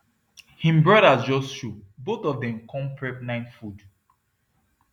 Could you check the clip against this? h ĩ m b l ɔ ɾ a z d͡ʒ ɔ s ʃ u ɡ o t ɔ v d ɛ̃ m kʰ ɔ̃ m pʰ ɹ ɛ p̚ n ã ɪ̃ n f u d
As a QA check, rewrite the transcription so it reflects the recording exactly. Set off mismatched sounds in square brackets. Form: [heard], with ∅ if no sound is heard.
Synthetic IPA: h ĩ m b [ɹ] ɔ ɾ a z d͡ʒ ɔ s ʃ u [b] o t ɔ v d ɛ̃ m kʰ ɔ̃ m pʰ ɹ ɛ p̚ n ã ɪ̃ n f u d